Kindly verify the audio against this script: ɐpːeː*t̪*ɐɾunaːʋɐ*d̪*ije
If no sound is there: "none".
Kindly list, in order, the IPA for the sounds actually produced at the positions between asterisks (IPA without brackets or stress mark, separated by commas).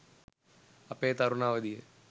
t̪, d̪